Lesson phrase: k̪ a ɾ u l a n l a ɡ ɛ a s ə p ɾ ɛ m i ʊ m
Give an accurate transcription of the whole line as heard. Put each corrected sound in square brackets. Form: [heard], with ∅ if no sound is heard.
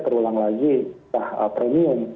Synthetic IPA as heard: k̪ [ə] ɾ u l a [ŋ] l a ɡ [i] a [h] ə p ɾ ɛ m i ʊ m